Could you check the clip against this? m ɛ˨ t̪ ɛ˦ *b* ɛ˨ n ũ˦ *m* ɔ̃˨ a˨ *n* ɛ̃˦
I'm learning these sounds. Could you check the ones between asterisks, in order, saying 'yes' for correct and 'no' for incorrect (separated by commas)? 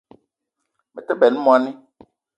yes, yes, yes